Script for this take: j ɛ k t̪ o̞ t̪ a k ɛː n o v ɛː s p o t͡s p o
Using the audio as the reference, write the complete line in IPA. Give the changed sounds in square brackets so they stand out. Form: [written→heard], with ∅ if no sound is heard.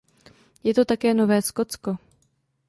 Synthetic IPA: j ɛ [k→∅] t̪ o̞ t̪ a k ɛː n o v ɛː s [p→k] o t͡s [p→k] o